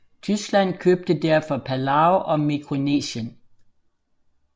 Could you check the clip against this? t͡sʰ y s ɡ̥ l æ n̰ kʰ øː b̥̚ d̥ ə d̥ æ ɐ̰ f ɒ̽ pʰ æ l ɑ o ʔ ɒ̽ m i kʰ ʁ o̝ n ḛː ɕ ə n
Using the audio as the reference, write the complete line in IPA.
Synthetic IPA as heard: t͡sʰ y s ɡ̥ l æ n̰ kʰ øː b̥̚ d̥ ə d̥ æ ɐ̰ f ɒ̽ pʰ æ l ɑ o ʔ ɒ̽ m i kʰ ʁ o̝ n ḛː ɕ ə n